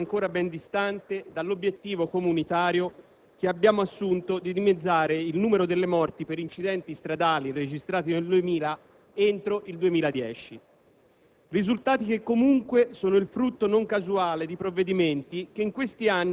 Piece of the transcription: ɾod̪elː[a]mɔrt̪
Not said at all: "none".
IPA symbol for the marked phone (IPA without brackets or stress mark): e